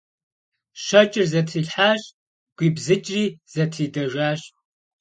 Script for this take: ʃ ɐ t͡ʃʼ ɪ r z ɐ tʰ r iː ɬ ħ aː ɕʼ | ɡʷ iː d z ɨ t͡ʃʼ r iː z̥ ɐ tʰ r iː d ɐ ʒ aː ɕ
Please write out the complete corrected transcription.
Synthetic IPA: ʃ ɐ t͡ʃʼ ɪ r z ɐ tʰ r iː ɬ ħ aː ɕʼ | ɡʷ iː b z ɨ t͡ʃʼ r iː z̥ ɐ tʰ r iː d ɐ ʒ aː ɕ